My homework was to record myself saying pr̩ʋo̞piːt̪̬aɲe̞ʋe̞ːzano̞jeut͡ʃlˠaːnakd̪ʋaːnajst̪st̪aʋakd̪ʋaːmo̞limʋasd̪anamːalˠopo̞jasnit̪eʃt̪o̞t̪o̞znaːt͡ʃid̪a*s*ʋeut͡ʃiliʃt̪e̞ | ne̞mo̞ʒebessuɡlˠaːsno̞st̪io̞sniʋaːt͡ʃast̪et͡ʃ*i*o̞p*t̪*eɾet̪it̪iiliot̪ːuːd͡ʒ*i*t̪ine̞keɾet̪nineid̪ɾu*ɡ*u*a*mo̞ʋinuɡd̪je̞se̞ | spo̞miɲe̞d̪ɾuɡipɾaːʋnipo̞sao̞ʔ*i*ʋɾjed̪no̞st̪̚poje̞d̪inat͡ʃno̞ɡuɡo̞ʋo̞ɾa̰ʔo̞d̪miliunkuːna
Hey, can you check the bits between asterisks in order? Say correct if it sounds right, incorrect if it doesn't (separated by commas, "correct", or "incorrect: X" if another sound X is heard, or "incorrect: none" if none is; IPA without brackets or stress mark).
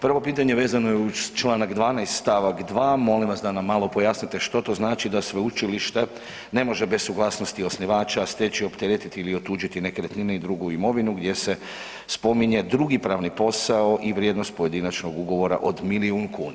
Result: correct, correct, correct, correct, correct, incorrect: i, correct